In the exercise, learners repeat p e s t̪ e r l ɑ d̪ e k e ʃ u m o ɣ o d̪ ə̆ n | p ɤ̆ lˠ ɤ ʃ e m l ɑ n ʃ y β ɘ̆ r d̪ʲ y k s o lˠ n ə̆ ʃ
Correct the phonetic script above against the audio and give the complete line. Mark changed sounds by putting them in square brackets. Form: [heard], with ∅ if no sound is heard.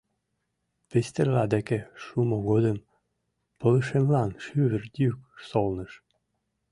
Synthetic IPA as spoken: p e s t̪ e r l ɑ d̪ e k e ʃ u m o ɣ o d̪ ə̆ [m] | p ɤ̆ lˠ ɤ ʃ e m l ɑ n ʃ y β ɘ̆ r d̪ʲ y k s o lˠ n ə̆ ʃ